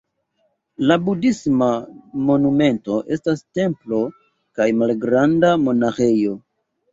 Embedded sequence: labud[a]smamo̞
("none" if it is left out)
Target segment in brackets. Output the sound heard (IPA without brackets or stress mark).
i